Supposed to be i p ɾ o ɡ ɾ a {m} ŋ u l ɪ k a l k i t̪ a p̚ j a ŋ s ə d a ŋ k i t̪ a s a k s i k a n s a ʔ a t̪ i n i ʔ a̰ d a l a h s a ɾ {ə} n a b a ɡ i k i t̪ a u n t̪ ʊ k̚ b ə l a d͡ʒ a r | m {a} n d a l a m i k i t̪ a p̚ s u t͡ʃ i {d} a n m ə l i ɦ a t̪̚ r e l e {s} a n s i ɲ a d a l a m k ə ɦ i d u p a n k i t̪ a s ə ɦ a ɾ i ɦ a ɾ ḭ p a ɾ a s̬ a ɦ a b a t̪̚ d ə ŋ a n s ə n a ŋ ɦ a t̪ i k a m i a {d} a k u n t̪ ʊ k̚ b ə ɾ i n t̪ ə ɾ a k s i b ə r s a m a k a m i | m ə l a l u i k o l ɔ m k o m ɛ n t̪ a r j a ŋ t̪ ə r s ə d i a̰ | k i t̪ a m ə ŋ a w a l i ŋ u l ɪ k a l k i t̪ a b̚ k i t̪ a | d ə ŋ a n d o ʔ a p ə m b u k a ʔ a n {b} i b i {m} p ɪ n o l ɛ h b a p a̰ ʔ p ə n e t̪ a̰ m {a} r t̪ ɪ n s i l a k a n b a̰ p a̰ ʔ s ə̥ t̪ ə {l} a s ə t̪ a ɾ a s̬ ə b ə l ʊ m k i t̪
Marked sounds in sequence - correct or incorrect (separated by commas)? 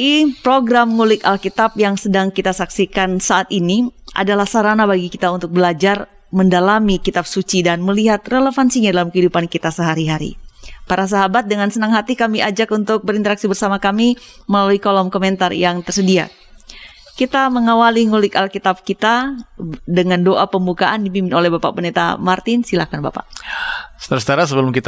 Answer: correct, incorrect, incorrect, correct, incorrect, incorrect, incorrect, correct, correct, incorrect